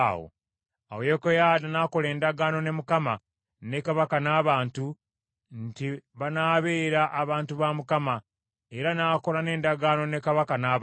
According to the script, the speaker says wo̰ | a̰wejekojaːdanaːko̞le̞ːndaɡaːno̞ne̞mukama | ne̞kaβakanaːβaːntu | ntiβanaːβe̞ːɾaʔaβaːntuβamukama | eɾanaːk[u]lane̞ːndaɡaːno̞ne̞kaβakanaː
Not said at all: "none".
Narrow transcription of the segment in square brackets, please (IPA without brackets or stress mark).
o